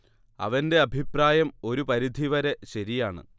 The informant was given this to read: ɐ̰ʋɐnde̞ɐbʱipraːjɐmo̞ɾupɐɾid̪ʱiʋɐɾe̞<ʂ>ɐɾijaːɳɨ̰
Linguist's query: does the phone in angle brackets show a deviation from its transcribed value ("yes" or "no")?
yes